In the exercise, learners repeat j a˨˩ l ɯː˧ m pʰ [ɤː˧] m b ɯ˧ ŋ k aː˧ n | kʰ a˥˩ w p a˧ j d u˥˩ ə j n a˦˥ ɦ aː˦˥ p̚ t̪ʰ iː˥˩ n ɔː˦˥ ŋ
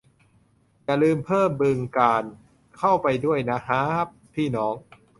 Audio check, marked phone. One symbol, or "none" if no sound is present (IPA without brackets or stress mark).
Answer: ɤː˥˩